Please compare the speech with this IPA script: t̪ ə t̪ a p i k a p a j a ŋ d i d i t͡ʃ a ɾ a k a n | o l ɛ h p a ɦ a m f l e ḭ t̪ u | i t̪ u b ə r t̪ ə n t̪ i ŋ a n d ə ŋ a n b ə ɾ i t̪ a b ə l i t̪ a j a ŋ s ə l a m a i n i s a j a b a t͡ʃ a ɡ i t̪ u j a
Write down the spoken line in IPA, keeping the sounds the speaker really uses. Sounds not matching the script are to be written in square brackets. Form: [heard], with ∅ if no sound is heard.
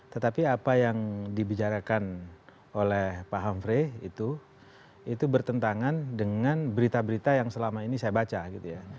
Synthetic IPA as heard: t̪ ə t̪ a p i [∅] a p a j a ŋ d i [b] i t͡ʃ a ɾ a k a n | o l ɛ h p a ɦ a m f [ɾ] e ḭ t̪ u | i t̪ u b ə r t̪ ə n t̪ [a] ŋ a n d ə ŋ a n b ə ɾ i t̪ a b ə [ɾ] i t̪ a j a ŋ s ə l a m a i n i s a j a b a t͡ʃ a ɡ i t̪ u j a